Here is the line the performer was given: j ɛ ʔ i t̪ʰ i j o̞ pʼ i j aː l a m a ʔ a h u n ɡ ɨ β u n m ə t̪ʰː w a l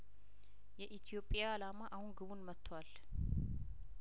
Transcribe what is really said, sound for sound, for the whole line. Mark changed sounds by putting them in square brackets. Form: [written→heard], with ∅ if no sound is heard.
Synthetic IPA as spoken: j ɛ ʔ i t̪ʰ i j o̞ pʼ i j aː l a m a ʔ a h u n ɡ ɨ β u n m ə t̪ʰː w a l